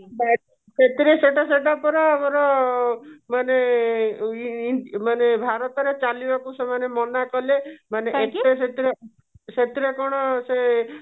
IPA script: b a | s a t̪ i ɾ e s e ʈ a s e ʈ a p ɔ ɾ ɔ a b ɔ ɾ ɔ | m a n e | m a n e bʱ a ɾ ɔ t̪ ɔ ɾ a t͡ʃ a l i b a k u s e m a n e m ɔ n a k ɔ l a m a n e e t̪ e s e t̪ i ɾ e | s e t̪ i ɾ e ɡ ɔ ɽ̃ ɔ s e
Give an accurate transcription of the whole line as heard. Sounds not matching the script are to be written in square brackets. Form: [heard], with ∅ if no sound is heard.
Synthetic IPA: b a | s [e] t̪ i ɾ e s e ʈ a s e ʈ a p ɔ ɾ ɔ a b ɔ ɾ ɔ | m a n e | m a n e bʱ a ɾ ɔ t̪ ɔ ɾ [e] t͡ʃ a l i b a k u s e m a n e m ɔ n a k ɔ l [e] m a n e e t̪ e s e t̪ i ɾ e | s e t̪ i ɾ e [k] ɔ ɽ̃ ɔ s e